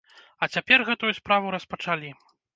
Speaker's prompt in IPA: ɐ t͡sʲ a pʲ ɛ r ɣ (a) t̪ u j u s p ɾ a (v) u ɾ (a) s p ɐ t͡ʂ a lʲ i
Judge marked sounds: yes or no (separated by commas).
no, yes, no